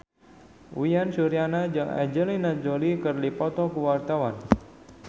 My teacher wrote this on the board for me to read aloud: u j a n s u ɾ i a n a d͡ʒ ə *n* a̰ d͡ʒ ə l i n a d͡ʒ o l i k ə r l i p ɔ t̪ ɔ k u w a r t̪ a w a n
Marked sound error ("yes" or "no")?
yes